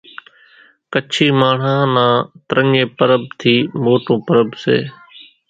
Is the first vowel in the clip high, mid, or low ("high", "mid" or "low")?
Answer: mid